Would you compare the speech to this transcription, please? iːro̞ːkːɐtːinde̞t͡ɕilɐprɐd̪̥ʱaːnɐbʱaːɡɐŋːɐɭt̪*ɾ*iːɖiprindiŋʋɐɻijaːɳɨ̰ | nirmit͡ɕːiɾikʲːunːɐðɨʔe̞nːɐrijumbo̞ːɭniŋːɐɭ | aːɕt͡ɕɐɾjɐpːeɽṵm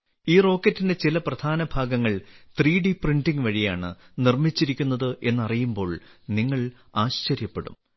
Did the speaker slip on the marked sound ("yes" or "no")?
yes